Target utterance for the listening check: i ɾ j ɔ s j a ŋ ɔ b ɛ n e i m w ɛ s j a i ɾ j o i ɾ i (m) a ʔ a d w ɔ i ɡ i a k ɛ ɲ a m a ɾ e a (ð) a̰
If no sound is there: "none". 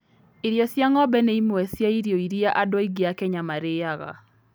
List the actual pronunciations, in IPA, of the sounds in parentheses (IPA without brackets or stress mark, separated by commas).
none, ɣ